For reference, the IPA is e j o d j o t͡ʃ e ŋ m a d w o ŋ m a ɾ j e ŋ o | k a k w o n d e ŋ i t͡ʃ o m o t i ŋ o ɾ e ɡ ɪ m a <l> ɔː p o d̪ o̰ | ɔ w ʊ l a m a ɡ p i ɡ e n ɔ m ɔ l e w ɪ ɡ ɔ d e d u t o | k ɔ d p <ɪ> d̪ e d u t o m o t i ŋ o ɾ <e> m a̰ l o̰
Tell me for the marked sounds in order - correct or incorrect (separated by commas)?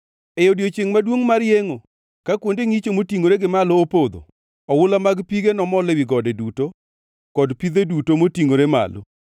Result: correct, incorrect, correct